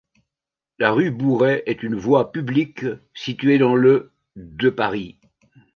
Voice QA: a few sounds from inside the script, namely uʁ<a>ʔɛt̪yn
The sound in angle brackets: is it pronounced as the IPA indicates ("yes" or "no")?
no